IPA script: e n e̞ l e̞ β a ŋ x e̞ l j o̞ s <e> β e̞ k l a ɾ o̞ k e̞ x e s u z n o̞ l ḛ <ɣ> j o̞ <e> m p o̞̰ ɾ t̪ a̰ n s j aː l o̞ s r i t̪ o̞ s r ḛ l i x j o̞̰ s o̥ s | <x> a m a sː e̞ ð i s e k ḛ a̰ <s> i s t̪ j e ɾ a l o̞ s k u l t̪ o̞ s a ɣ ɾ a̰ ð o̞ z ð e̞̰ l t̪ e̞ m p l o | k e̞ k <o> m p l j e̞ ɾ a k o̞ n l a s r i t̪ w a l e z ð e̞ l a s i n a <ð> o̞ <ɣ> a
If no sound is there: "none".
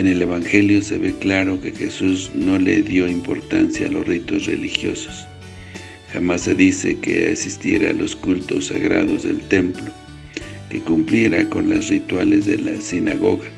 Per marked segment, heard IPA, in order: e, ð, i, x, s, u, ɣ, ɣ

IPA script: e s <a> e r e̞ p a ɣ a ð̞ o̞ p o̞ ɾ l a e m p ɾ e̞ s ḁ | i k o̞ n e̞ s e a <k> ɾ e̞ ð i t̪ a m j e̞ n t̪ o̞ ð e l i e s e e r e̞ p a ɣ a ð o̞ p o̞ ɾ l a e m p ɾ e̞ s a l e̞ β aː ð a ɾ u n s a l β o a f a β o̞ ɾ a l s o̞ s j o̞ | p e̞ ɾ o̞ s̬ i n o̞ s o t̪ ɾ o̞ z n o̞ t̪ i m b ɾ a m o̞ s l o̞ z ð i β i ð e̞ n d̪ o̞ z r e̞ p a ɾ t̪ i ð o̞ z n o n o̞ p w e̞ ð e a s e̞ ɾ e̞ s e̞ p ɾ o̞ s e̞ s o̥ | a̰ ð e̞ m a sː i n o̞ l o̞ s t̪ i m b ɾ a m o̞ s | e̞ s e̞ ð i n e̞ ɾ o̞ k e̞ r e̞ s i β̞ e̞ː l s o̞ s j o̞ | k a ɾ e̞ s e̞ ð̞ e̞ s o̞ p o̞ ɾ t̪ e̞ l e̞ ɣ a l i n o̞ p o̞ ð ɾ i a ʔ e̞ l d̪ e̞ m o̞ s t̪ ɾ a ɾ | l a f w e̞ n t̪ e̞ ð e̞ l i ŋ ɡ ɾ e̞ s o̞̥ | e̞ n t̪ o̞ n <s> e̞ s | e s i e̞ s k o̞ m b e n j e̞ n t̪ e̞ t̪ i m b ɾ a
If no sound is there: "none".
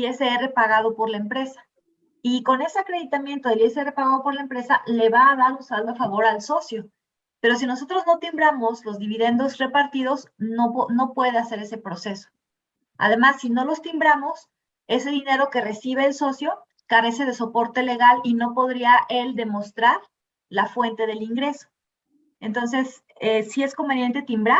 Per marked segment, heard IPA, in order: e, k, s

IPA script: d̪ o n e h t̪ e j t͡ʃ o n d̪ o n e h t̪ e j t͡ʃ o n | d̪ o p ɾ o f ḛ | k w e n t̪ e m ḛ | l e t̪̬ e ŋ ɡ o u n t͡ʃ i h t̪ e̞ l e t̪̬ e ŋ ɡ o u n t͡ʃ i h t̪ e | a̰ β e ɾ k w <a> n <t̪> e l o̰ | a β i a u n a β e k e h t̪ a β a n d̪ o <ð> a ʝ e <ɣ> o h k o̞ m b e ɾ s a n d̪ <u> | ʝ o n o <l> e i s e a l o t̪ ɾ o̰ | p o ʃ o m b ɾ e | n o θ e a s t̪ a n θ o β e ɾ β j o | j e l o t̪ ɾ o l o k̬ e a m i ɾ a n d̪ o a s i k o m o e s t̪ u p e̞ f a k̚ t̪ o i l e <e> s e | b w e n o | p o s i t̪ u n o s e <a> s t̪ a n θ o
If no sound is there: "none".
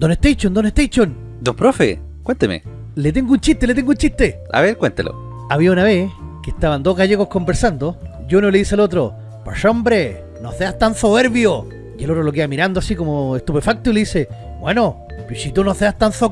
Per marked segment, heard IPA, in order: e, t̪, ɣ, ɣ, o, l, i, a

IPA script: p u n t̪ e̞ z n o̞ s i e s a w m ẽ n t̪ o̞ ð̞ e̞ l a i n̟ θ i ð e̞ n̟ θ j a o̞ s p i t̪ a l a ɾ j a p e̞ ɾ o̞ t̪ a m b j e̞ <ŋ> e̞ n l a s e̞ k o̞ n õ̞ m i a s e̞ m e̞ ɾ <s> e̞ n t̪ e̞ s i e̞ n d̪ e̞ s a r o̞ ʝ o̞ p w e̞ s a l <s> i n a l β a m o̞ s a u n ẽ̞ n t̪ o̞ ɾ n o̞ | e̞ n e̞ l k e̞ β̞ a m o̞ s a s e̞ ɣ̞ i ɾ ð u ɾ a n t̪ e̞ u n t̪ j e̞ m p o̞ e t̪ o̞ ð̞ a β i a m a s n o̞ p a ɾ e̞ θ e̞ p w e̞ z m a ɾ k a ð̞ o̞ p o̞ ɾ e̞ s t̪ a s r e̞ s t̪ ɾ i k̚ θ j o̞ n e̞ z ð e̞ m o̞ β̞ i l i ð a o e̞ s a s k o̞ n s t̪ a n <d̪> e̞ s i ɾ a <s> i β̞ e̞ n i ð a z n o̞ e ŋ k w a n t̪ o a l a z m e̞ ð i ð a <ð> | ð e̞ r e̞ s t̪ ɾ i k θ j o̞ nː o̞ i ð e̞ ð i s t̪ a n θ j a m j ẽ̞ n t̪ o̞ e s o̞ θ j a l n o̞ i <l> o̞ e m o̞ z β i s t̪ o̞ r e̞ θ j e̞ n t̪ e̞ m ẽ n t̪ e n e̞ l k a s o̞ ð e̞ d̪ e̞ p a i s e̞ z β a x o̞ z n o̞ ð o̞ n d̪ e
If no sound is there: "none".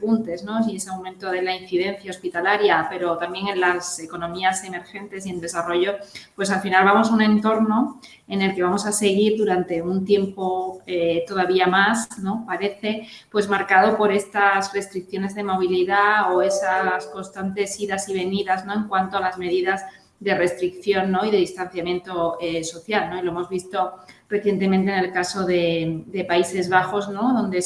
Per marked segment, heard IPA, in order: ŋ, x, f, t̪, s, z, l

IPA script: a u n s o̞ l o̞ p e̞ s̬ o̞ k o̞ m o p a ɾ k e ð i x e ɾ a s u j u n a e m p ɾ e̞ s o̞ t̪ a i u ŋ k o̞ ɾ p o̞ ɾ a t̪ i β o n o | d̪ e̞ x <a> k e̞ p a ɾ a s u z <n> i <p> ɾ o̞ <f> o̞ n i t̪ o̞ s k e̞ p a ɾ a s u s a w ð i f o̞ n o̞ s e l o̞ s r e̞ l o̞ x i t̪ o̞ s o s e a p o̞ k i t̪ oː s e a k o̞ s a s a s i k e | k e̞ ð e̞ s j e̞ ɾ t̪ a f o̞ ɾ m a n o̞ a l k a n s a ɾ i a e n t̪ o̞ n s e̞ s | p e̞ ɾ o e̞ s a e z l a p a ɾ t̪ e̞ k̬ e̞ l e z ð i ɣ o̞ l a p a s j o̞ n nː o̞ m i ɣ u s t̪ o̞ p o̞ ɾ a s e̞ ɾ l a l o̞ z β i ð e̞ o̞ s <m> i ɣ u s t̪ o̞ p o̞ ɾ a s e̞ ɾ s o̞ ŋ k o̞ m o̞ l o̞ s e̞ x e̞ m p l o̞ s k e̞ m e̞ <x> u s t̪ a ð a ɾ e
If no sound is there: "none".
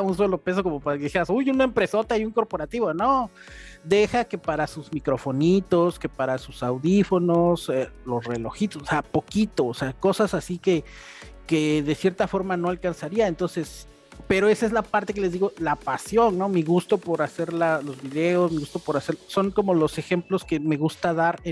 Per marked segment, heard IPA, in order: a, m, k, f, m, ɣ

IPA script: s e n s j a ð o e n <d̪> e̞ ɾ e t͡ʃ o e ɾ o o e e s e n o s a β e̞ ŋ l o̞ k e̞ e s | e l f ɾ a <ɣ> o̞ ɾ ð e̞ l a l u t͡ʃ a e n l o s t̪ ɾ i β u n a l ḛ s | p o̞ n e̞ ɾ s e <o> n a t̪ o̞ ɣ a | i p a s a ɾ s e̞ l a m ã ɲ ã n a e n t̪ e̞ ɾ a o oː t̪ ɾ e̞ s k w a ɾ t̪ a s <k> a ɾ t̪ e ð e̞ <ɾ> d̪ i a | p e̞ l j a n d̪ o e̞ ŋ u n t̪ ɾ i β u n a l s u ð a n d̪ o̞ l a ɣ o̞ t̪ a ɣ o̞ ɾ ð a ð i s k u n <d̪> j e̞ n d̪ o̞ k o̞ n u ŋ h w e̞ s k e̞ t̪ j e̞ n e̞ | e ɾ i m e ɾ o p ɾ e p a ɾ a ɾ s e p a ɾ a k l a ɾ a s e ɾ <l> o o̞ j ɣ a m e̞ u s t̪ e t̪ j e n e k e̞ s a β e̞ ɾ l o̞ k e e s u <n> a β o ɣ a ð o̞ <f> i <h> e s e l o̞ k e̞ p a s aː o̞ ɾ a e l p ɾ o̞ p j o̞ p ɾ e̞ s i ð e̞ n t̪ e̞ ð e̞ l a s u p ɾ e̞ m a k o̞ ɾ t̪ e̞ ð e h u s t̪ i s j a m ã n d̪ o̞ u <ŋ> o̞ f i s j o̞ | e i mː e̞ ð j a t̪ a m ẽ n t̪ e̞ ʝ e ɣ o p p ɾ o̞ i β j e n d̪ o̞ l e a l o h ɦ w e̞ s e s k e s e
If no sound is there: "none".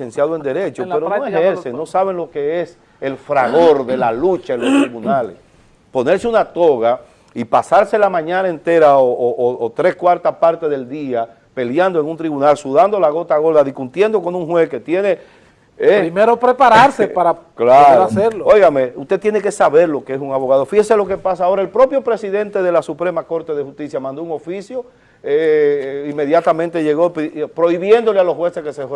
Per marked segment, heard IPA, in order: d̪, ɣ, u, p, l, t̪, l, ŋ, f, h, ŋ

